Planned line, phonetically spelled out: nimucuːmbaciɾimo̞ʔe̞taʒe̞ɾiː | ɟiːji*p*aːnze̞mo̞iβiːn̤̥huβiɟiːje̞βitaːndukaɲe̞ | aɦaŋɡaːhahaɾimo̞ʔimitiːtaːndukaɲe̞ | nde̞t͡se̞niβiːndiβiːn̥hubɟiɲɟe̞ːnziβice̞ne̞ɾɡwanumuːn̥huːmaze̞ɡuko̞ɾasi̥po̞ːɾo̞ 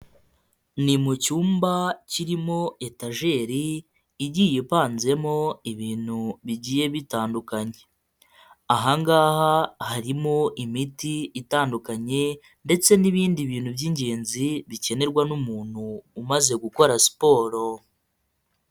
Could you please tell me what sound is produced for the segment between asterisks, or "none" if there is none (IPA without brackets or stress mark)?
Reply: p